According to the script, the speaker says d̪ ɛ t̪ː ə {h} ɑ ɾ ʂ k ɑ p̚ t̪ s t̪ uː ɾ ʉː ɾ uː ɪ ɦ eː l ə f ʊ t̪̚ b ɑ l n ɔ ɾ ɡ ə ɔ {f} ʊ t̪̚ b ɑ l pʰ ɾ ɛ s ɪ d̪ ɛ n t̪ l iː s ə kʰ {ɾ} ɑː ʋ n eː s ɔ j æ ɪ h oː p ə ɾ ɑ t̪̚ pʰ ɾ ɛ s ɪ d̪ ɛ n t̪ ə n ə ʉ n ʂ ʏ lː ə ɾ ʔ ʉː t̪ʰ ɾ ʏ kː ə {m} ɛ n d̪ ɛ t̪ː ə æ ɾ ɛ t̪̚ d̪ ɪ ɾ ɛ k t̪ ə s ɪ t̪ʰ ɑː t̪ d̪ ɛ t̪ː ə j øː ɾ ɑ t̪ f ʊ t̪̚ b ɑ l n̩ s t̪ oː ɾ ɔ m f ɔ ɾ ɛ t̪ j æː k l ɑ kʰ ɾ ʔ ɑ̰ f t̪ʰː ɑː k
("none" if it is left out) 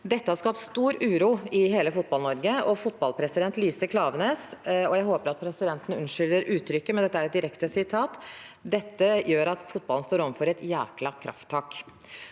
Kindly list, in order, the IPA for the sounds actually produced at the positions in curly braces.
h, f, l, m

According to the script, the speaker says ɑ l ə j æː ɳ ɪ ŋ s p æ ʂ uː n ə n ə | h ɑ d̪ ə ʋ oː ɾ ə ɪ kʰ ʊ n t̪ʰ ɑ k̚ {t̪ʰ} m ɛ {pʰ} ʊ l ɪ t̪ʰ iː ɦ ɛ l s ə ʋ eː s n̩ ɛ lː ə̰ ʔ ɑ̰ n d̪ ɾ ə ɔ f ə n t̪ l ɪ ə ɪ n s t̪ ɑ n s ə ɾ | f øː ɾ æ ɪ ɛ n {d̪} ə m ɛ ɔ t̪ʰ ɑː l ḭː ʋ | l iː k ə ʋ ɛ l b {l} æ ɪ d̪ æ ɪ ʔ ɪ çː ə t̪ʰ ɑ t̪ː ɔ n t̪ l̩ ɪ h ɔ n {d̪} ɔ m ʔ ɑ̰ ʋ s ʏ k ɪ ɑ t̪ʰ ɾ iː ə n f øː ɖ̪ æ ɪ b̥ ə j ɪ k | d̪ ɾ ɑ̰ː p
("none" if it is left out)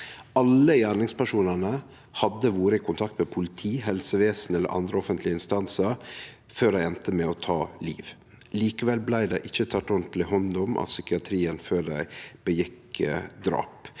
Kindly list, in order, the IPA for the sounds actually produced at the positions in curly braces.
t̪, pʰ, t̪, l, d̪

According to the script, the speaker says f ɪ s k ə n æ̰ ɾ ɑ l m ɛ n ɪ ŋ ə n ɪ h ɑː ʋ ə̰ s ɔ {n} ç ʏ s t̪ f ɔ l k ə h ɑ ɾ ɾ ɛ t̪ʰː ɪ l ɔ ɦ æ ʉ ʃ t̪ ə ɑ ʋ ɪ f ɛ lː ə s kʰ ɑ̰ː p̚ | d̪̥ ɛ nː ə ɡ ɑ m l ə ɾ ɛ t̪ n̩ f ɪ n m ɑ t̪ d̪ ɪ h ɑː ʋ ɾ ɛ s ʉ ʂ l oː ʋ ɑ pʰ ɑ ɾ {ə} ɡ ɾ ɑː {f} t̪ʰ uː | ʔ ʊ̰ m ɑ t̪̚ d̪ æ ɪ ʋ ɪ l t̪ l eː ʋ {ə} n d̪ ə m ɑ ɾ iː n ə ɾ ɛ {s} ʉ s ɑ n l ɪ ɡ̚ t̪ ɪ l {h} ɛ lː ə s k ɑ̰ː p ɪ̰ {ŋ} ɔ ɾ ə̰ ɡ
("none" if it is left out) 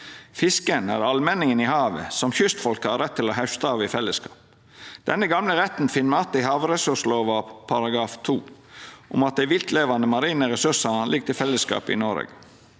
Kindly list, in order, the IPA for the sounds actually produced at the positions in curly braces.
m, ɑ, f, ɑ, s, f, n

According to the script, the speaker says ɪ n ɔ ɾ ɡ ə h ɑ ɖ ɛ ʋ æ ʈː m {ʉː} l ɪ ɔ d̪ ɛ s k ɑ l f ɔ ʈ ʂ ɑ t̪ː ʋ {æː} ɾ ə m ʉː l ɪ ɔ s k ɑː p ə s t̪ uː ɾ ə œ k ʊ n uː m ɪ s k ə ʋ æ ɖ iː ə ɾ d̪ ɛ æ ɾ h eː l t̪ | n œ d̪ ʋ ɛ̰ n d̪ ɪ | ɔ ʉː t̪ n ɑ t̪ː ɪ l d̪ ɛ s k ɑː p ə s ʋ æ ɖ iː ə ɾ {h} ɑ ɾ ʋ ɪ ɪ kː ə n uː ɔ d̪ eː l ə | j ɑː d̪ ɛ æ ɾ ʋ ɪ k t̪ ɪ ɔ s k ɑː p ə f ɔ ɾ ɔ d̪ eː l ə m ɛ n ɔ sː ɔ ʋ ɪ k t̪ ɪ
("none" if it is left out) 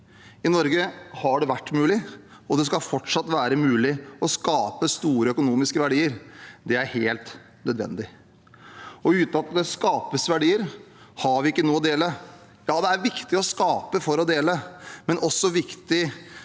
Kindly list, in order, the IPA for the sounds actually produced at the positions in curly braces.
ʉː, æː, h

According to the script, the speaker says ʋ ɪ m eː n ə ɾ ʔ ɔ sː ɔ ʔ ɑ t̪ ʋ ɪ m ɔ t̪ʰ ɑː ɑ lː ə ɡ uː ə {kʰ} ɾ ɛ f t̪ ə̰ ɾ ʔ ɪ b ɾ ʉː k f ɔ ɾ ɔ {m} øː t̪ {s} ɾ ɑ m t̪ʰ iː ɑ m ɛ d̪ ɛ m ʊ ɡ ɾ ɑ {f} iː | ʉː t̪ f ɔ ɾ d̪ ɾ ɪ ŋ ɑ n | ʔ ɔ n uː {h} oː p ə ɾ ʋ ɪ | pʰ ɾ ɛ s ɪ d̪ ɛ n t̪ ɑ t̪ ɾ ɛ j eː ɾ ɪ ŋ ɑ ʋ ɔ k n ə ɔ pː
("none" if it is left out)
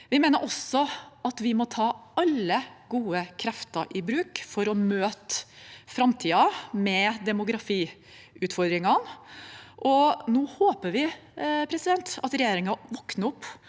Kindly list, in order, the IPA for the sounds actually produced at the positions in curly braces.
kʰ, m, f, f, h

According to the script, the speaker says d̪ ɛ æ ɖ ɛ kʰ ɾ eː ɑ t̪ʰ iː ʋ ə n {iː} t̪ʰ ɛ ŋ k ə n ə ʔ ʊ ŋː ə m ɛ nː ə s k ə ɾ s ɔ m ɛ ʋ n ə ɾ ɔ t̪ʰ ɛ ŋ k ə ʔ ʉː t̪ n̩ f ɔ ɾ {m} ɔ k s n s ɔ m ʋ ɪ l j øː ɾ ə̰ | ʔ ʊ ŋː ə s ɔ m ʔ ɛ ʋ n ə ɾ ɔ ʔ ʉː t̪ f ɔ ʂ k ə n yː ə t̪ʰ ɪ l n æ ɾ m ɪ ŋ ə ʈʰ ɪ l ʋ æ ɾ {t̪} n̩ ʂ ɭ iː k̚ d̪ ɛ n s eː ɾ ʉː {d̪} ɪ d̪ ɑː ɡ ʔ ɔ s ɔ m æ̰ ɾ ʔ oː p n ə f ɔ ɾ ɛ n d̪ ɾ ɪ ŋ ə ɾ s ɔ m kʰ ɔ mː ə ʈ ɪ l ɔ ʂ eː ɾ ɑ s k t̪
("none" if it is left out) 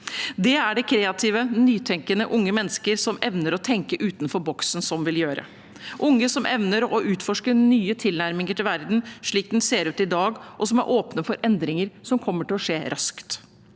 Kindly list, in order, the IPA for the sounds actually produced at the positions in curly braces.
yː, b, d̪, t̪

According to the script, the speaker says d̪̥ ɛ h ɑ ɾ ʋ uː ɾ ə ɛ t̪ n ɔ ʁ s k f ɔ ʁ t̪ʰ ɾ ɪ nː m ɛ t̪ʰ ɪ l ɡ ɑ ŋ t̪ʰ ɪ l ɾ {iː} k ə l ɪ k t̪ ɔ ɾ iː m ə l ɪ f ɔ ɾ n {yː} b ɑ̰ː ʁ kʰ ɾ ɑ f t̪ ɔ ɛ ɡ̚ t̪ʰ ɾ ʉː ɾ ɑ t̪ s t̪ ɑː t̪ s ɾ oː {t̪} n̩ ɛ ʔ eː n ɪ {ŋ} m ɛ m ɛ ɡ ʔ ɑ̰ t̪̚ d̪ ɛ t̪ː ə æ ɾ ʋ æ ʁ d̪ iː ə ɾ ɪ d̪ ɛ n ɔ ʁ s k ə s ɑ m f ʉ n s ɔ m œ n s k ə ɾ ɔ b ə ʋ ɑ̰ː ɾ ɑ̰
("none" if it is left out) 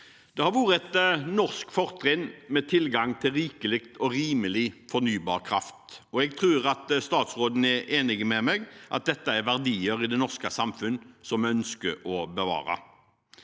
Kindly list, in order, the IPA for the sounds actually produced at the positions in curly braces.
iː, yː, d̪, ɡ

